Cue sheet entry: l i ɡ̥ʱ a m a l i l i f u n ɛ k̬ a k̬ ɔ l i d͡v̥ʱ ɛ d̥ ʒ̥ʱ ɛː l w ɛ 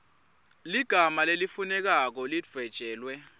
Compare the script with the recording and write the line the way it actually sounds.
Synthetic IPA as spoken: l i ɡ̥ʱ a m a l e l i f u n ɛ k̬ a k̬ ɔ l i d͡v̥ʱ ɛ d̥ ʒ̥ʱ ɛː l w ɛ